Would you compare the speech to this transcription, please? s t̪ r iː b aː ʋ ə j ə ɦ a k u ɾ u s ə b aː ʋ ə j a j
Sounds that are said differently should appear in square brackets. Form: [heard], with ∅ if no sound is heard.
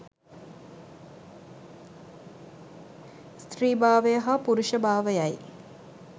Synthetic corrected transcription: s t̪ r iː b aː ʋ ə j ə ɦ a [p] u ɾ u [ʃ] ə b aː ʋ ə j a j